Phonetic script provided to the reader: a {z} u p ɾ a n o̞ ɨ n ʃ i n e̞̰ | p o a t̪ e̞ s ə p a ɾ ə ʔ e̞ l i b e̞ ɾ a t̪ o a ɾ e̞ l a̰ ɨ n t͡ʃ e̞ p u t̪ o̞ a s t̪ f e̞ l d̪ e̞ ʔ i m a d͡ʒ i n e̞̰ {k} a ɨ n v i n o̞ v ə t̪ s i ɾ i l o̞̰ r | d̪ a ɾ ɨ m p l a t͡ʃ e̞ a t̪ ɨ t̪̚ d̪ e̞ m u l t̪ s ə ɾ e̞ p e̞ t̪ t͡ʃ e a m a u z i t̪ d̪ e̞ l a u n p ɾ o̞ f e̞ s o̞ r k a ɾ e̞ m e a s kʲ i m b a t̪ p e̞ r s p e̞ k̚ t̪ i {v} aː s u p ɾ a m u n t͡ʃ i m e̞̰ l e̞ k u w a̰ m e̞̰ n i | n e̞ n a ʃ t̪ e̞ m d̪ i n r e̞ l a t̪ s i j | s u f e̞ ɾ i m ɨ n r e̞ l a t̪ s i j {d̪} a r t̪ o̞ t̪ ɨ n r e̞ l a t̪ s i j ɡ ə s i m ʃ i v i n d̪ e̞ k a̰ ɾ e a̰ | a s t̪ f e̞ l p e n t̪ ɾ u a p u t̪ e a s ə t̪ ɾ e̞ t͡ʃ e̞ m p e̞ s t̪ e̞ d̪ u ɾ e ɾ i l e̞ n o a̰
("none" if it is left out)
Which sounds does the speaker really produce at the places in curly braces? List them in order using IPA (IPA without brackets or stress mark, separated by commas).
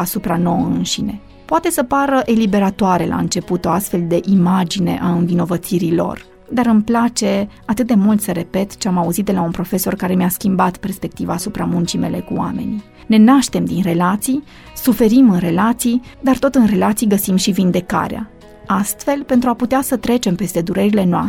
s, ʔ, v, d̪